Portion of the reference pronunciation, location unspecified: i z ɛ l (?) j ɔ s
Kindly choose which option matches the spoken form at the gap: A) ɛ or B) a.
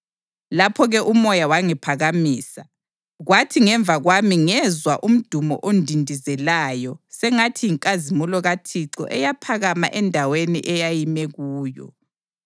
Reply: B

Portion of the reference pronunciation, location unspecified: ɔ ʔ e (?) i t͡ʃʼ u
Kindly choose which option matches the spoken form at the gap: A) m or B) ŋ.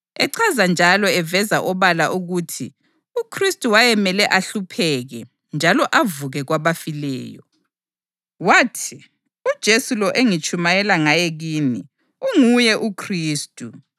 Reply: B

